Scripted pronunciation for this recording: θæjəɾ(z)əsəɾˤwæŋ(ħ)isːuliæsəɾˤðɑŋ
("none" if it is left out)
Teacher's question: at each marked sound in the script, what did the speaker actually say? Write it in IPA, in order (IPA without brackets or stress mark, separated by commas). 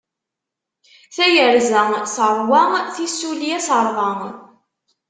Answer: z, θ